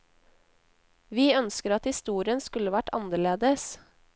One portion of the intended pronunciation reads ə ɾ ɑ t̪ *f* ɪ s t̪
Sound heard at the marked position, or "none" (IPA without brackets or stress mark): h